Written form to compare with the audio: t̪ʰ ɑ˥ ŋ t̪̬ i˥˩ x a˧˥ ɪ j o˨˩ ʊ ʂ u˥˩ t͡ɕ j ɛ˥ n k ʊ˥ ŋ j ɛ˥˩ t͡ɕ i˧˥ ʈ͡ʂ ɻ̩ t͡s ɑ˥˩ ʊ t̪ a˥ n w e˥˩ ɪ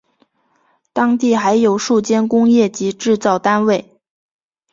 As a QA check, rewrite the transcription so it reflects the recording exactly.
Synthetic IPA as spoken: t̪ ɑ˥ ŋ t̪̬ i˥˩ x a˧˥ ɪ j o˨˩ ʊ ʂ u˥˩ t͡ɕ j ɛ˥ n k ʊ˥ ŋ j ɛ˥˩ t͡ɕ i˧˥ ʈ͡ʂ ɻ̩ t͡s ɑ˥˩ ʊ t̪ a˥ n w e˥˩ ɪ

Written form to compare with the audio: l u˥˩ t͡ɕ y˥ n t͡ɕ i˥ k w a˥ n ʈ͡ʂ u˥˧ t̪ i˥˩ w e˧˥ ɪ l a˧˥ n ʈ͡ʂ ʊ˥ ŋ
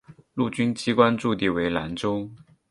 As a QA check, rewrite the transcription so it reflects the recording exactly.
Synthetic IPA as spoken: l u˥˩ t͡ɕ y˥ n t͡ɕ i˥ k w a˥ n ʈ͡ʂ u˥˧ t̪ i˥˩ w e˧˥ ɪ l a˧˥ n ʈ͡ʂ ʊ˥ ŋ

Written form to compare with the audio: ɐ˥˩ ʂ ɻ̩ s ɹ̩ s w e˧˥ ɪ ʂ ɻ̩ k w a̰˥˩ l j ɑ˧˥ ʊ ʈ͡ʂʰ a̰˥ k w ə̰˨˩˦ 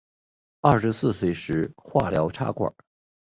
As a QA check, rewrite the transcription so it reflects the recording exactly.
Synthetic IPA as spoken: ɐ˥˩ ʂ ɻ̩ s ɹ̩ s w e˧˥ ɪ ʂ ɻ̩ x w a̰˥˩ l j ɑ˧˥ ʊ ʈ͡ʂʰ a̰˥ k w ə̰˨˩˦

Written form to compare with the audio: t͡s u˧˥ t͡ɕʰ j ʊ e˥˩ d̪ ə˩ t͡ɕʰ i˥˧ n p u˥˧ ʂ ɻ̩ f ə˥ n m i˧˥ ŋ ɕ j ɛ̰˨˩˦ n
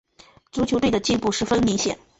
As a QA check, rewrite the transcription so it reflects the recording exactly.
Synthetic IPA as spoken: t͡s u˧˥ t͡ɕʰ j ʊ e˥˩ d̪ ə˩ t͡ɕ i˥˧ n p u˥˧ ʂ ɻ̩ f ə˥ n m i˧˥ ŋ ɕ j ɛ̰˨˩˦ n

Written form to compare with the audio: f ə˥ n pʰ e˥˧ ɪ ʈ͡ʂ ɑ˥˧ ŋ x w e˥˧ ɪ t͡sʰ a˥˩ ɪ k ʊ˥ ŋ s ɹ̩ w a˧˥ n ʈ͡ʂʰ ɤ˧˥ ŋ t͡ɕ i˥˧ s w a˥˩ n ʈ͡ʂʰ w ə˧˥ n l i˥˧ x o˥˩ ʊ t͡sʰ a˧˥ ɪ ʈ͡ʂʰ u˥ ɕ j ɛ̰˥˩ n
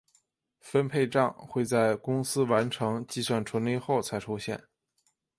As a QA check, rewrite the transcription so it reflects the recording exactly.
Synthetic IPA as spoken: f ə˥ n pʰ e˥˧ ɪ ʈ͡ʂ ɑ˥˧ ŋ x w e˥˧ ɪ t͡s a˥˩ ɪ k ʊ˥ ŋ s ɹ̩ w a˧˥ n ʈ͡ʂʰ ɤ˧˥ ŋ t͡ɕ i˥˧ s w a˥˩ n ʈ͡ʂʰ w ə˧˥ n l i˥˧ x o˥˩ ʊ t͡sʰ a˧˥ ɪ ʈ͡ʂʰ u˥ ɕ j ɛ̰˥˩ n

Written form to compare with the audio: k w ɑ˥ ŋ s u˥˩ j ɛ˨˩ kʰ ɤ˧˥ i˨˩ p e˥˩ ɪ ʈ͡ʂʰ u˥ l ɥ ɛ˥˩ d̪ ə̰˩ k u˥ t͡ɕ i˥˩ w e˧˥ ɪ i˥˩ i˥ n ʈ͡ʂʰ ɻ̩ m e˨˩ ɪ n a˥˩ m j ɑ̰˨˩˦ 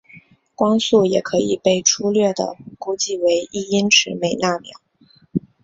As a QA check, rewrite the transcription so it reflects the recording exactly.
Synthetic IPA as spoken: k w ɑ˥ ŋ s u˥˩ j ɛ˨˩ kʰ ɤ˧˥ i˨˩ p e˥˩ ɪ ʈ͡ʂʰ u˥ l ɥ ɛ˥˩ d̪ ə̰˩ k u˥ t͡ɕ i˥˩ w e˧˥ ɪ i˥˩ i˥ n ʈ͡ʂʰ ɻ̩ m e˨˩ ɪ n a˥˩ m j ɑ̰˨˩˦

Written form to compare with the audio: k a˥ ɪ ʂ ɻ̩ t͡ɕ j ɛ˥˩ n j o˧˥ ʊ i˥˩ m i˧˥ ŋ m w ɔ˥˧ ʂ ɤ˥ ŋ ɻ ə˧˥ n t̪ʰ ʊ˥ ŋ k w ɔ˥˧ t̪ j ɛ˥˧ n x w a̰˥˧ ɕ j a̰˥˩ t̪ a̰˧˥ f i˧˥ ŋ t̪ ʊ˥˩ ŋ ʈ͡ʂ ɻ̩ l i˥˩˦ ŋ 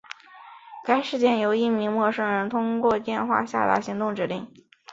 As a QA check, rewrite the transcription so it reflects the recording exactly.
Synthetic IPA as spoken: k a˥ ɪ ʂ ɻ̩ t͡ɕ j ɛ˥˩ n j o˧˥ ʊ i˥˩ m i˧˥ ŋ m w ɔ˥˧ ʂ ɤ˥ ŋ ɻ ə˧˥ n t̪ʰ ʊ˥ ŋ k w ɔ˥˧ t̪ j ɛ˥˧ n x w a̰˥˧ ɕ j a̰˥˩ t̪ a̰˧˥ ɕ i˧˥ ŋ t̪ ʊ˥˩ ŋ ʈ͡ʂ ɻ̩ l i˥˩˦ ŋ

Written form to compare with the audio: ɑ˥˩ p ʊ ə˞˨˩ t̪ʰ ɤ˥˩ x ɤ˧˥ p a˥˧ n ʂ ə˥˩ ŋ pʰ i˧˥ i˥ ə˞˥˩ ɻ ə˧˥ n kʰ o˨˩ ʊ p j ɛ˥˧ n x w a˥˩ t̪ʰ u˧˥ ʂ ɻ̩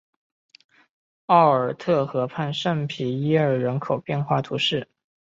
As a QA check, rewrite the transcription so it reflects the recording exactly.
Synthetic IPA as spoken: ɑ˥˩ ʊ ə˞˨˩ t̪ʰ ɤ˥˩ x ɤ˧˥ pʰ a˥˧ n ʂ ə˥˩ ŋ pʰ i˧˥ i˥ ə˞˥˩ ɻ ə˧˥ n kʰ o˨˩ ʊ p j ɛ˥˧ n x w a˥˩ t̪ʰ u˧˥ ʂ ɻ̩

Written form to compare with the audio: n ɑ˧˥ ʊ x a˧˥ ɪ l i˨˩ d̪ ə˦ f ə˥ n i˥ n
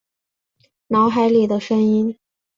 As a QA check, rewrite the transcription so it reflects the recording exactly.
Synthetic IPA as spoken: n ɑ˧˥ ʊ x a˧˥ ɪ l i˨˩ d̪ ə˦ ʂ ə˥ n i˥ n

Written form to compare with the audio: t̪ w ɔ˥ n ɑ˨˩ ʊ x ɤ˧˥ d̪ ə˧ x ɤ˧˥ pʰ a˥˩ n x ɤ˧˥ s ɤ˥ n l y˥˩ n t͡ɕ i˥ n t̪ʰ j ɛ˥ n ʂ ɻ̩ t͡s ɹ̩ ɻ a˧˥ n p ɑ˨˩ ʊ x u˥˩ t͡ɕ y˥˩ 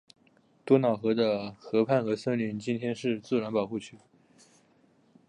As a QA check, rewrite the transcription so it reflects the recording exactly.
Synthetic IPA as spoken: t̪ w ɔ˥ n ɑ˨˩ ʊ x ɤ˧˥ d̪ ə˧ x ɤ˧˥ pʰ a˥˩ n x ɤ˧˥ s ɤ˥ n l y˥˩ n t͡ɕ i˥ n t̪ʰ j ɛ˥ n ʂ ɻ̩ t͡s ɹ̩ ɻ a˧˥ n p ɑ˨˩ ʊ x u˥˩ t͡ɕʰ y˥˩

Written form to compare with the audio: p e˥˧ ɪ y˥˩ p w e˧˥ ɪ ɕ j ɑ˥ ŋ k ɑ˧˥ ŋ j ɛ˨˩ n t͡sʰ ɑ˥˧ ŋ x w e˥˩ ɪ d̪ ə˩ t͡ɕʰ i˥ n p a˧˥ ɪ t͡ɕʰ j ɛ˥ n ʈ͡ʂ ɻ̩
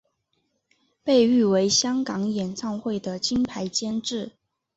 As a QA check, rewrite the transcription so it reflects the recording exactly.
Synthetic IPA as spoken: p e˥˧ ɪ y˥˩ w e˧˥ ɪ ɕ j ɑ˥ ŋ k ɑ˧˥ ŋ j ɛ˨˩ n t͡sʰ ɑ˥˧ ŋ x w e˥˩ ɪ d̪ ə˩ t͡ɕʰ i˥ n pʰ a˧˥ ɪ t͡ɕ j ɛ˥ n ʈ͡ʂ ɻ̩

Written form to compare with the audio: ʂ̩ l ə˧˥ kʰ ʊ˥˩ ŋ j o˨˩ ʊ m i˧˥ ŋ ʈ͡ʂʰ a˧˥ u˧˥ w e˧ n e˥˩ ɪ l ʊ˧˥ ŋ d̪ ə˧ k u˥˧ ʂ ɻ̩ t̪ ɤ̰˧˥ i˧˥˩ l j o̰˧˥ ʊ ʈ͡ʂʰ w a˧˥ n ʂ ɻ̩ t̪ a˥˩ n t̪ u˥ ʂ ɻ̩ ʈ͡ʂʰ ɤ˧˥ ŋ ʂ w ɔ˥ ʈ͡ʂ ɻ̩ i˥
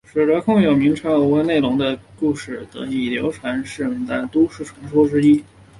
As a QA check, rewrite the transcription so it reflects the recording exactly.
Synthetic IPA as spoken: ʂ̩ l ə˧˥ kʰ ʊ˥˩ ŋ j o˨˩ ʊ m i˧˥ ŋ ʈ͡ʂʰ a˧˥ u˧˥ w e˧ n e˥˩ ɪ l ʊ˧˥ ŋ d̪ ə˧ k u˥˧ ʂ ɻ̩ t̪ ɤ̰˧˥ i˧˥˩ l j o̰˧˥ ʊ ʈ͡ʂʰ w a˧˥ n ʂ ɻ̩ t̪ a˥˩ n t̪ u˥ ʂ ɻ̩ ʈ͡ʂʰ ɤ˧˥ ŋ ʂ w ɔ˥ ʈ͡ʂ ɻ̩ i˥

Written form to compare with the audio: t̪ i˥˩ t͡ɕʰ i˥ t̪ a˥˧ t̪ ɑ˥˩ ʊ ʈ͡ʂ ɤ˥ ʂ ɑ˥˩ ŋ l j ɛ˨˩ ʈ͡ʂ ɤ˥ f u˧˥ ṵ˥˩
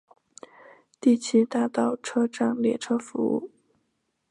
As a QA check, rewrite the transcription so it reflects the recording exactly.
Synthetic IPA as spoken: t̪ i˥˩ t͡ɕʰ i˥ t̪ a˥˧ t̪ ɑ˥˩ ʊ ʈ͡ʂʰ ɤ˥ ʈ͡ʂ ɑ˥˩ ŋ l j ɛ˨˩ ʈ͡ʂʰ ɤ˥ f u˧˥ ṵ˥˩

